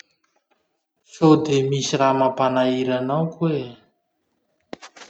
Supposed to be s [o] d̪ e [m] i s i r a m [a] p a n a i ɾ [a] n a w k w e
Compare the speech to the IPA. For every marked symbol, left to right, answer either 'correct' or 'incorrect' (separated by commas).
correct, correct, correct, correct